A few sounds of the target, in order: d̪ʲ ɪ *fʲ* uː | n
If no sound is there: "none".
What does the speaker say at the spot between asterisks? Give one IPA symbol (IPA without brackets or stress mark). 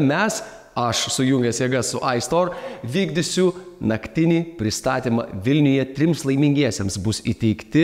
sʲ